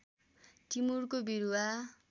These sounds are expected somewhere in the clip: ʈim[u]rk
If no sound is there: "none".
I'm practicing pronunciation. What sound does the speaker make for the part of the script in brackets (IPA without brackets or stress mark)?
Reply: u